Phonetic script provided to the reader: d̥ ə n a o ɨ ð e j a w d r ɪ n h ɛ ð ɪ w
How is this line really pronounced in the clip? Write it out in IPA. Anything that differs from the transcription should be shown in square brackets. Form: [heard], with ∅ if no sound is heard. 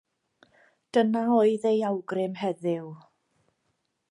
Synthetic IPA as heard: d̥ ə n a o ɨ ð e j a w [ɡ] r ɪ [m] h ɛ ð ɪ w